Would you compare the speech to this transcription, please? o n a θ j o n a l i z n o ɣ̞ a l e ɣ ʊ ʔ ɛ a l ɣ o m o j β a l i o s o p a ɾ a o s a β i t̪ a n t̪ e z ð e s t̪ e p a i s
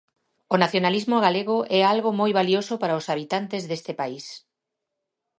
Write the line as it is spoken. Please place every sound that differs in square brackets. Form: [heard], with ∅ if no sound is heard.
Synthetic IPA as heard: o n a θ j o n a l i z [m] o ɣ̞ a l e ɣ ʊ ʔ ɛ a l ɣ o m o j β a l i o s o p a ɾ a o s a β i t̪ a n t̪ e z ð e s t̪ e p a i s